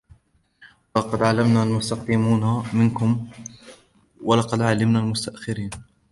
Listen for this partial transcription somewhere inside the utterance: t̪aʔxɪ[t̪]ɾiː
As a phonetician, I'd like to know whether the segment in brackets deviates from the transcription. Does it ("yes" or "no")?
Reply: yes